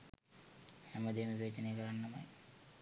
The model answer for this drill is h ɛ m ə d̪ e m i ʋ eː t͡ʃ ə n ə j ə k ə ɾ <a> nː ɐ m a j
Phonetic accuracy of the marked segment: correct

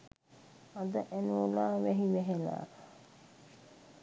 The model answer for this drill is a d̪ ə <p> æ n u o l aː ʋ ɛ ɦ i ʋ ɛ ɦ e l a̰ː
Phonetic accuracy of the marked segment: incorrect: ʔ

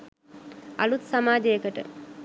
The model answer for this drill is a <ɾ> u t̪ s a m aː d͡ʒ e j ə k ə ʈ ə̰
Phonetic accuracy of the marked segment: incorrect: l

